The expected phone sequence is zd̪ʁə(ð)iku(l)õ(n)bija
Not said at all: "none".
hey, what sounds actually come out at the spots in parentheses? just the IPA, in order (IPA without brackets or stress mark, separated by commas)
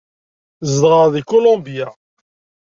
ð, l, m